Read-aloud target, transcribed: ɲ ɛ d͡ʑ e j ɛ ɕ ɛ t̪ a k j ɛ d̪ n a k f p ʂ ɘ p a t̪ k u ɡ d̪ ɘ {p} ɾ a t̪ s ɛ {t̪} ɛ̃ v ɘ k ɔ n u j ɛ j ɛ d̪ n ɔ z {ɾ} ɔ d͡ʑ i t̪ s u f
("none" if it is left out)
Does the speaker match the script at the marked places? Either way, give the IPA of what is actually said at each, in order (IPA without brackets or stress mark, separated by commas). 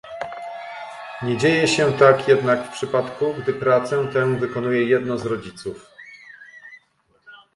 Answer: p, t̪, ɾ